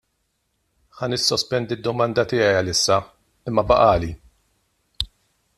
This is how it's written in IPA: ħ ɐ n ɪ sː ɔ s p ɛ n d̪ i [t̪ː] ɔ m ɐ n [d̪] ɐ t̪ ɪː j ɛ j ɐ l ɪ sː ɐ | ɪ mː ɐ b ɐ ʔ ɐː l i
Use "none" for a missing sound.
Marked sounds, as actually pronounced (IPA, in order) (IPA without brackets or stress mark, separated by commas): d̪ː, d̪